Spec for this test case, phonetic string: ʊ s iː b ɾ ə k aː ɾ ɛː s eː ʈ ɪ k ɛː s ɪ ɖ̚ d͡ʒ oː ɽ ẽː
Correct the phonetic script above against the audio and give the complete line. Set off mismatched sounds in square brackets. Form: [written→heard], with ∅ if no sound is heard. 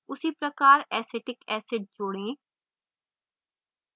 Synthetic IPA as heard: ʊ s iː [b→p] ɾ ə k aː ɾ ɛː s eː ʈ ɪ k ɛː s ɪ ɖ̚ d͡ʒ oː ɽ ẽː